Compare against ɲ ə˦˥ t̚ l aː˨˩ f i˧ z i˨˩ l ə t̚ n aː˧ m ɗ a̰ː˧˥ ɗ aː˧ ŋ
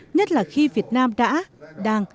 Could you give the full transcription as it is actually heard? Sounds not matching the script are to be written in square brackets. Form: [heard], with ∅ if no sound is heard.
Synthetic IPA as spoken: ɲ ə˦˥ t̚ l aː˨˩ [x] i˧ [v] i˨˩ [∅] ə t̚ n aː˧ m ɗ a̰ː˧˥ ɗ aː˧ ŋ